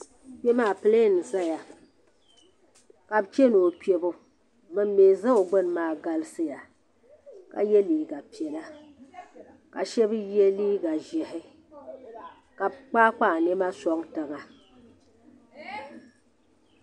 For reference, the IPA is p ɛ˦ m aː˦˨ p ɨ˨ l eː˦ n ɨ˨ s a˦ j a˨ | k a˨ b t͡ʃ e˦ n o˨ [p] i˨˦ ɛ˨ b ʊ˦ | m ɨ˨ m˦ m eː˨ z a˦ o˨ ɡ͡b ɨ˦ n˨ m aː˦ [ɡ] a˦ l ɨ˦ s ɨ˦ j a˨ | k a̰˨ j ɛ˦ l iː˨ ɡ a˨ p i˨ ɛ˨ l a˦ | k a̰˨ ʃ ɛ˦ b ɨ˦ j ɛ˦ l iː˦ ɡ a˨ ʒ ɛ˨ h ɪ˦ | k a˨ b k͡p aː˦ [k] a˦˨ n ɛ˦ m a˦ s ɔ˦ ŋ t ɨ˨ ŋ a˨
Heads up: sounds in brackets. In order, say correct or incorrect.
correct, correct, incorrect: k͡p

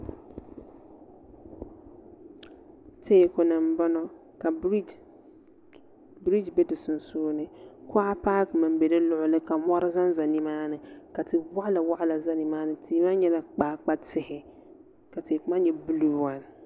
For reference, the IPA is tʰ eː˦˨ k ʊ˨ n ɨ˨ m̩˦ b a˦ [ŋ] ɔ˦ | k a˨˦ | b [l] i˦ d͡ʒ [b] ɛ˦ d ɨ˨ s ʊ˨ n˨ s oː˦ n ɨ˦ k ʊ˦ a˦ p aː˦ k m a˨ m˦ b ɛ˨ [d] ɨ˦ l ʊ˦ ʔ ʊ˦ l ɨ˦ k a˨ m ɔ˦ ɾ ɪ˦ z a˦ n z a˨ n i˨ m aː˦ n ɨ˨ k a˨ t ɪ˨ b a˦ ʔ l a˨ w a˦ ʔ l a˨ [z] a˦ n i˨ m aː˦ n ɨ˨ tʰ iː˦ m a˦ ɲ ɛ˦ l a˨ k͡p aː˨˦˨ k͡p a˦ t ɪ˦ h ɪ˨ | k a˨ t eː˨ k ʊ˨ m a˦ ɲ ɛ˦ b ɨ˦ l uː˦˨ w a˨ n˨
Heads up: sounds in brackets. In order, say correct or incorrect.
incorrect: n, incorrect: ɾ, correct, correct, correct

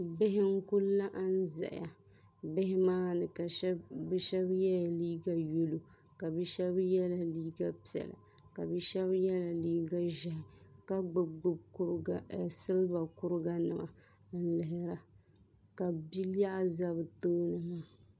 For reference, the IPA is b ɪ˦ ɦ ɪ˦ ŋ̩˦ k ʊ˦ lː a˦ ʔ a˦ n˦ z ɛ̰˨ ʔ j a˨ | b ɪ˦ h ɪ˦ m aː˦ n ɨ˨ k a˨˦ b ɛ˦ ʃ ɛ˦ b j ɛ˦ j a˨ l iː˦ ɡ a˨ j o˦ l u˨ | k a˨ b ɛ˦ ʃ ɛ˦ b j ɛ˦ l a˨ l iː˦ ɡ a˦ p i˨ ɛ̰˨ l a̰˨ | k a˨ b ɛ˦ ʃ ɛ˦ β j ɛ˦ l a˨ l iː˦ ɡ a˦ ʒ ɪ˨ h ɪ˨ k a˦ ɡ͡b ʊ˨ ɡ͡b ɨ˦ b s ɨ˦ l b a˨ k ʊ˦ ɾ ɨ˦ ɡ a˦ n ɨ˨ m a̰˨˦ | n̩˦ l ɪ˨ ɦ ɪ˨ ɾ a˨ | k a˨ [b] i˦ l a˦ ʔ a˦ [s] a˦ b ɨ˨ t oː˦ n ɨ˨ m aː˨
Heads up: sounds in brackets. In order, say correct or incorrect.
correct, incorrect: z

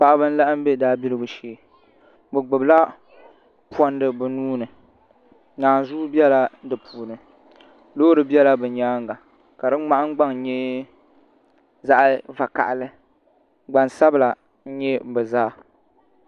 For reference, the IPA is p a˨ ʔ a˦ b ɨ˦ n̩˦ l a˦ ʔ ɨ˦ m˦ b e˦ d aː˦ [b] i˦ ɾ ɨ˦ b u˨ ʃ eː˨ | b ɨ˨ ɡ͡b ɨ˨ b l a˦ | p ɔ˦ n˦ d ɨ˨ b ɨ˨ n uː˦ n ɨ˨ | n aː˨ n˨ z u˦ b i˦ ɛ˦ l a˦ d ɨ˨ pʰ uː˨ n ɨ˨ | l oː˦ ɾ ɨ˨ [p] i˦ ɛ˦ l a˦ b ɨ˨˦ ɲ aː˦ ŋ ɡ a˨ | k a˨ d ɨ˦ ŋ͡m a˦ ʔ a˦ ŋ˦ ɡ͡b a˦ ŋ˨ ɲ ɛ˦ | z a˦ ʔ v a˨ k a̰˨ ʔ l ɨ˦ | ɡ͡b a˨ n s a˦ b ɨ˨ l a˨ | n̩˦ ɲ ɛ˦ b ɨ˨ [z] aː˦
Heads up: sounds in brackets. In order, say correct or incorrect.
correct, incorrect: b, correct

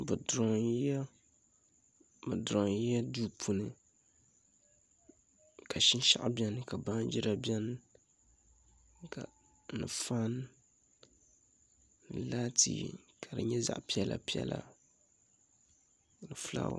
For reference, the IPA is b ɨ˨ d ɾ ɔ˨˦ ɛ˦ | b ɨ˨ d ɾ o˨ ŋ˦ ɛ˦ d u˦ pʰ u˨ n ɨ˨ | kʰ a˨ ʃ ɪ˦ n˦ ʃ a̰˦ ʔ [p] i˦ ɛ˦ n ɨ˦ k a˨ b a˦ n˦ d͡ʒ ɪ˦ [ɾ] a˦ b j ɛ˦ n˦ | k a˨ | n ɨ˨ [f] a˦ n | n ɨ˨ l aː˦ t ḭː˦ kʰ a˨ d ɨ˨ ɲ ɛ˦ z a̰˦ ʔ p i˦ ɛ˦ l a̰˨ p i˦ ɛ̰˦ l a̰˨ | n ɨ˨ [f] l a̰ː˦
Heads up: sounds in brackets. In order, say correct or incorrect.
incorrect: b, correct, correct, correct

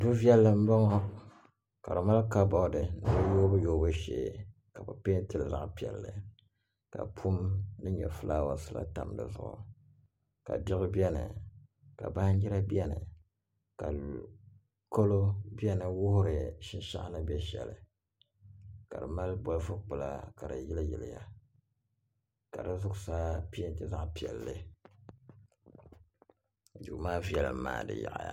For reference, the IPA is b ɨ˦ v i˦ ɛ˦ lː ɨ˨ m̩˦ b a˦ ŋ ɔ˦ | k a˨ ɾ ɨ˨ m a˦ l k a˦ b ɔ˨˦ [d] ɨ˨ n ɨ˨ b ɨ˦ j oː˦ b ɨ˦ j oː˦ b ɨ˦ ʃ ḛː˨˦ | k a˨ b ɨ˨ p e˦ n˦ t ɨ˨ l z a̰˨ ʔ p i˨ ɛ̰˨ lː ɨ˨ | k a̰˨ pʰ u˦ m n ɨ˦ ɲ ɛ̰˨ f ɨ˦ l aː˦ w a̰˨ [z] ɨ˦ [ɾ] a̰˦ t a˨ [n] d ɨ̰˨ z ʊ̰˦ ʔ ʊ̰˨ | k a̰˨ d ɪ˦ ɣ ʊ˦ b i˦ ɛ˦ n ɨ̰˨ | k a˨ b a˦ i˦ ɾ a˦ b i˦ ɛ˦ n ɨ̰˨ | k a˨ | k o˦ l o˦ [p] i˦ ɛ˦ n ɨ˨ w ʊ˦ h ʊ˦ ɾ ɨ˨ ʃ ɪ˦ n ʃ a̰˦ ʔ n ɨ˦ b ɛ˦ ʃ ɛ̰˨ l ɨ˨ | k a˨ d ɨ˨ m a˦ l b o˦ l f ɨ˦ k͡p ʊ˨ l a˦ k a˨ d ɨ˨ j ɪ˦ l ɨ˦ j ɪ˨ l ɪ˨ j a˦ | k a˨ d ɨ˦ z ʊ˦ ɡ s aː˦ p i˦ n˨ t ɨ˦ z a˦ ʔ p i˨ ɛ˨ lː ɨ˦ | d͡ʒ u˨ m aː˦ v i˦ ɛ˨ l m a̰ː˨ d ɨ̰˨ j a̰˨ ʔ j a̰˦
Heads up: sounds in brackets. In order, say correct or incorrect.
correct, incorrect: s, incorrect: l, incorrect: m, incorrect: b

